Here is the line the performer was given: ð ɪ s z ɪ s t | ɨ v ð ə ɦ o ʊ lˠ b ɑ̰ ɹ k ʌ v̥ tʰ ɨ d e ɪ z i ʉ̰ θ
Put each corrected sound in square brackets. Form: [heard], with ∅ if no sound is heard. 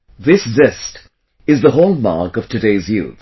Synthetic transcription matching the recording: ð ɪ s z ɪ s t | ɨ [z] ð ə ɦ o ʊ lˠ [m] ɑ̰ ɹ k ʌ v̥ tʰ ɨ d e ɪ z [j] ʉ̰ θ